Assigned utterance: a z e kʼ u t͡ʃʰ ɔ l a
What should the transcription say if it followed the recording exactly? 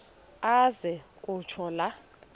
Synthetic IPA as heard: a z ɛ kʼ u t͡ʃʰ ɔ l a